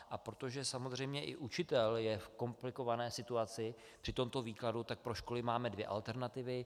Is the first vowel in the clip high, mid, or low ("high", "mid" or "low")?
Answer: low